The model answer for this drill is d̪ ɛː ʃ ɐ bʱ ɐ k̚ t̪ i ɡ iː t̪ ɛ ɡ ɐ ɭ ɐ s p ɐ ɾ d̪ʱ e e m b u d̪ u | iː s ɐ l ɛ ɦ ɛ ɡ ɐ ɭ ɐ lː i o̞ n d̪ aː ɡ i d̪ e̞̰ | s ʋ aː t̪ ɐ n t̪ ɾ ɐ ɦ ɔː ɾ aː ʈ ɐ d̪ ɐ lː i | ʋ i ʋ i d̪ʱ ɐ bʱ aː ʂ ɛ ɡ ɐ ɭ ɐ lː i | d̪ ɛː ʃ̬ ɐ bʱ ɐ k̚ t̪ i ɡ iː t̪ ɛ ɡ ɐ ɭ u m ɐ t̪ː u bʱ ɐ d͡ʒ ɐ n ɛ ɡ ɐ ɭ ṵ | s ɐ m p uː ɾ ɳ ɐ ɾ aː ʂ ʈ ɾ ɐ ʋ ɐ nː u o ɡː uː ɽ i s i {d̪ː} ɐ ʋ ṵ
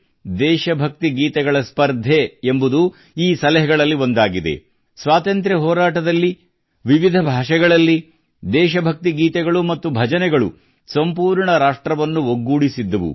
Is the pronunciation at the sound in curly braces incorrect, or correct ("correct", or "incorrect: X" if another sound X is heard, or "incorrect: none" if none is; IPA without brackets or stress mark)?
correct